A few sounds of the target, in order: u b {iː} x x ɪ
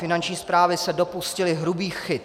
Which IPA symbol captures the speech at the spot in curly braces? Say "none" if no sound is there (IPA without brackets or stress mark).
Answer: iː